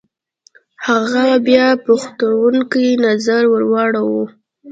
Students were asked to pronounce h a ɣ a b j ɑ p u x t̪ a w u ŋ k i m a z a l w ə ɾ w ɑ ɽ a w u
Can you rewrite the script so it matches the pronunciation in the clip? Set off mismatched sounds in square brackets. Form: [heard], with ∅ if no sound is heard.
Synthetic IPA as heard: h a ɣ a b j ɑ p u x t̪ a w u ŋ k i [n] a z a [ɾ] w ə ɾ w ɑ ɽ a w u